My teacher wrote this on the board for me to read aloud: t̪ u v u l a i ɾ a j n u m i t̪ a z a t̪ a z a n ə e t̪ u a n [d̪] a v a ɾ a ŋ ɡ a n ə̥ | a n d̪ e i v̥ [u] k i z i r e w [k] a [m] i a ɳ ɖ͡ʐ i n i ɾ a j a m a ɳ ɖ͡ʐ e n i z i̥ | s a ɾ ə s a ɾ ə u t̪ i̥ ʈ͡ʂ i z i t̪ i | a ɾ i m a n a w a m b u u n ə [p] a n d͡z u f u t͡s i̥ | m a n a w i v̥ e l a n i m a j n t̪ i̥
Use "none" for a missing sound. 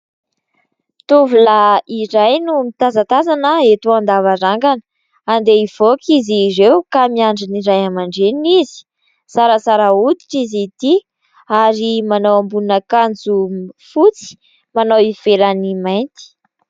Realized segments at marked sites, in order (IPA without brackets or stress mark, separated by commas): d̪, o, k, m, k